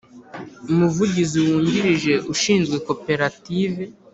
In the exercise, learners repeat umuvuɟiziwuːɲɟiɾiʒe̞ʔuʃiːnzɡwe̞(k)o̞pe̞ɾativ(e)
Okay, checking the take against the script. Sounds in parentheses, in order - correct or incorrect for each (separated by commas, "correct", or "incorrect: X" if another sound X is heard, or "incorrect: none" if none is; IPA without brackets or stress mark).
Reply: correct, correct